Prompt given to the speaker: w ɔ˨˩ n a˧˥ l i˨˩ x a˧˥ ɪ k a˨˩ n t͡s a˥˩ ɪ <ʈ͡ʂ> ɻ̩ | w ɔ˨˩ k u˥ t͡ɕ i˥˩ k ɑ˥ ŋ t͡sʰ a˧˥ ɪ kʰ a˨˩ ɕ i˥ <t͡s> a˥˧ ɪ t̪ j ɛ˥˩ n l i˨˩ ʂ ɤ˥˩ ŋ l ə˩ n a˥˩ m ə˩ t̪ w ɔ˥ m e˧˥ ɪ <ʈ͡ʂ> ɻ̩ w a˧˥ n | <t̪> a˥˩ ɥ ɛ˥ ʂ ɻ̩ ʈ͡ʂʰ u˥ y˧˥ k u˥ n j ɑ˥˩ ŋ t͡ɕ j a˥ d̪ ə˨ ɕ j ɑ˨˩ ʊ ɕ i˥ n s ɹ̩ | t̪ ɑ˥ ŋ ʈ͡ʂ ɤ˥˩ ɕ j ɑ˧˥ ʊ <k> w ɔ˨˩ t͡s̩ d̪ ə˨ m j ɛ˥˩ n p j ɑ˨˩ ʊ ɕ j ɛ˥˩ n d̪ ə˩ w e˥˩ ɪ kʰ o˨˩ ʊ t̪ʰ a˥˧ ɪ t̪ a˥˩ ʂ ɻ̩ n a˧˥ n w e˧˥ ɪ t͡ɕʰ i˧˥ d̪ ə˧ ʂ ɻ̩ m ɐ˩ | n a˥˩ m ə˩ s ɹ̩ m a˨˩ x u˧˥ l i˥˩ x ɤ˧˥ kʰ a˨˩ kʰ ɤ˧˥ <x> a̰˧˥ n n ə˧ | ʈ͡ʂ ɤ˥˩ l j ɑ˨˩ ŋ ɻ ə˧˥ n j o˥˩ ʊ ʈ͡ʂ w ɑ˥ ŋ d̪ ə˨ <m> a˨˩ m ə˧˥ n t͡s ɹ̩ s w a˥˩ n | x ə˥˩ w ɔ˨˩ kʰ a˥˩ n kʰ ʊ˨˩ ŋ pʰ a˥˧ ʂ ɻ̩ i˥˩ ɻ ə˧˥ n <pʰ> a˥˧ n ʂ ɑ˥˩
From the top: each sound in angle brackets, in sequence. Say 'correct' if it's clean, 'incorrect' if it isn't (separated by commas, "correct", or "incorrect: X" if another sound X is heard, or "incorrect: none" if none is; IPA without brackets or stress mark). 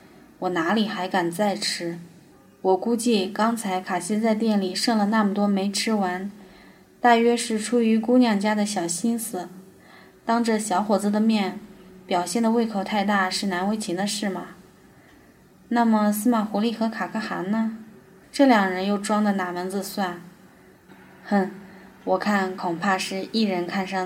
incorrect: ʈ͡ʂʰ, correct, incorrect: ʈ͡ʂʰ, correct, incorrect: x, correct, incorrect: n, incorrect: kʰ